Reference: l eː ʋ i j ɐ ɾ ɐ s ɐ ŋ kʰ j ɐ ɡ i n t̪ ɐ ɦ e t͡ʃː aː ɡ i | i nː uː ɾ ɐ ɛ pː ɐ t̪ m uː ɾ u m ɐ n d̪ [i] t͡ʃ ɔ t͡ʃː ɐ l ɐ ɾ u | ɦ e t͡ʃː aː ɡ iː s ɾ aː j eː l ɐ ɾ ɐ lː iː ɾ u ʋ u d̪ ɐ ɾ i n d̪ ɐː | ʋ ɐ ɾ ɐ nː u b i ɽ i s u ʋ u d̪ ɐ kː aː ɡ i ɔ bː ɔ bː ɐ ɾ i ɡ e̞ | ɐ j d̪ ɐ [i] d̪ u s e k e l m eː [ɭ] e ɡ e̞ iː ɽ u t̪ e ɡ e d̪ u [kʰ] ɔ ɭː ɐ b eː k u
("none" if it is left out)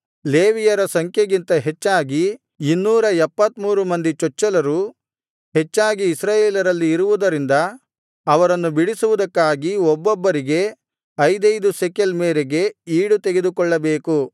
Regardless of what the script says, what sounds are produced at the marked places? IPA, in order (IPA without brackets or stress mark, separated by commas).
i, j, ɾ, k